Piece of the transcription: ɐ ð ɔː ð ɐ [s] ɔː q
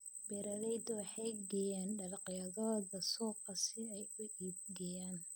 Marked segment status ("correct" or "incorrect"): correct